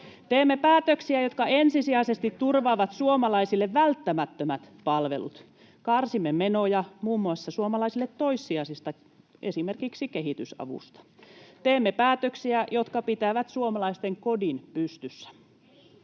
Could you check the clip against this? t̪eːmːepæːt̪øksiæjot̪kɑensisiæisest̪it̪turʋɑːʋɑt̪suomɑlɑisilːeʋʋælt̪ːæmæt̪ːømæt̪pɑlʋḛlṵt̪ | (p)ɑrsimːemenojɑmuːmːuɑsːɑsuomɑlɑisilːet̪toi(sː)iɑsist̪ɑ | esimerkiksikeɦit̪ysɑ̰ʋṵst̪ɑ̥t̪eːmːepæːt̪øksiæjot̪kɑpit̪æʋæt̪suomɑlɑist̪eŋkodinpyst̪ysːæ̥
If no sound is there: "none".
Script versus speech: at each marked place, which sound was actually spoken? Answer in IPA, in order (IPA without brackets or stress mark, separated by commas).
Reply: k, sː